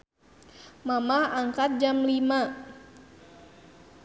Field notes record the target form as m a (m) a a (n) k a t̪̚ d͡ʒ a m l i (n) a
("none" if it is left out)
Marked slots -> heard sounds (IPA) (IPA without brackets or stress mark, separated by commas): m, ŋ, m